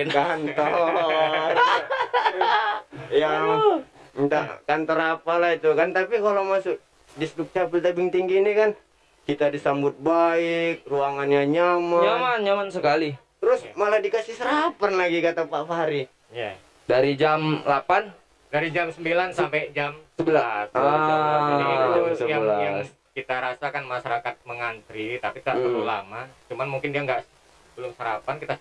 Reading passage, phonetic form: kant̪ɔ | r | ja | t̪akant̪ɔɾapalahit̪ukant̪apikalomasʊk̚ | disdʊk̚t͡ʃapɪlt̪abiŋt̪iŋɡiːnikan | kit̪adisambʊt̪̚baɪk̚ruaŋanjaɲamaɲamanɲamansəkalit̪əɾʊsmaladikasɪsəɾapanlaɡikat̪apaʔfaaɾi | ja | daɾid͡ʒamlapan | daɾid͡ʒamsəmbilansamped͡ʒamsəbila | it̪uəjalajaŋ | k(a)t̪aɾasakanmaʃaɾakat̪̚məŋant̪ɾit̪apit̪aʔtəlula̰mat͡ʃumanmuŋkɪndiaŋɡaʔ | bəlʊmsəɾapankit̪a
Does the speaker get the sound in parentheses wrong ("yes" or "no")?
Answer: yes